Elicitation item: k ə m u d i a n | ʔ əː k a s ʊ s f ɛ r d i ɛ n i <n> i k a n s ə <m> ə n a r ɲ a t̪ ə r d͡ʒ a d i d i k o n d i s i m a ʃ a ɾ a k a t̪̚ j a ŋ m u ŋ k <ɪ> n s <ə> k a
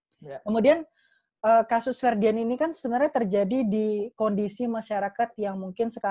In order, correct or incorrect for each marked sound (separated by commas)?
correct, incorrect, correct, correct